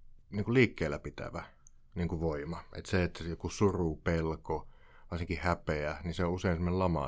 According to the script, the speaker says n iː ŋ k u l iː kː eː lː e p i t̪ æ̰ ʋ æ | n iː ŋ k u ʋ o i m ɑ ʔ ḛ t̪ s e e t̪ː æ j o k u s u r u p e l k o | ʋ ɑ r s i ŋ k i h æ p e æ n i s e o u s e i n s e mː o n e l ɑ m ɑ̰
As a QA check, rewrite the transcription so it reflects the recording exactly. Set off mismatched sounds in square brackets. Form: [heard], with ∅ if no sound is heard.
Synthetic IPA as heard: n iː ŋ k u l iː kː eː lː [æ] p i t̪ æ̰ ʋ æ | n iː ŋ k u ʋ o i m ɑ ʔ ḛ t̪ s e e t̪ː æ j o k u s u r u p e l k o | ʋ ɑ r s i ŋ k i h æ p e æ n i s e o u s e i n s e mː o n e l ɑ m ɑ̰